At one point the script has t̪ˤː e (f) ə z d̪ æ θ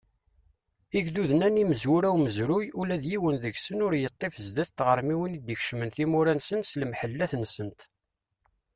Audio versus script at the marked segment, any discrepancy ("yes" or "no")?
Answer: no